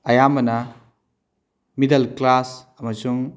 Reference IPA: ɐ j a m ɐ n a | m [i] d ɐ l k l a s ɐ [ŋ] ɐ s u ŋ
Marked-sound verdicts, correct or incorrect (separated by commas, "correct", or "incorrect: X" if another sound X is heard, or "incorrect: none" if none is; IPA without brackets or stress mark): correct, incorrect: m